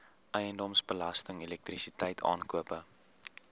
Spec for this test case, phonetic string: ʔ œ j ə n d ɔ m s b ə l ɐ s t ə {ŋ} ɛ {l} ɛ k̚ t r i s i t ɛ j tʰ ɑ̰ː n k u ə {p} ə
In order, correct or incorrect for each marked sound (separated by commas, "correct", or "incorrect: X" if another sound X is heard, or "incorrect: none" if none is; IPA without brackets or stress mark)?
correct, correct, correct